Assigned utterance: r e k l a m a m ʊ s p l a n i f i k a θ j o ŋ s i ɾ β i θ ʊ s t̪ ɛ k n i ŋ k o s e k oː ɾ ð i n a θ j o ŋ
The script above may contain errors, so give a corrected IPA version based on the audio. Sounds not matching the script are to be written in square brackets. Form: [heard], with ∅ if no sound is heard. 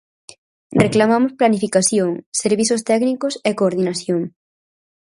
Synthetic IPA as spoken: r e k l a m a m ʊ s p l a n i f i k a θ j o ŋ s [e] ɾ β i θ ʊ s t̪ ɛ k n i [∅] k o s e k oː ɾ ð i n a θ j o ŋ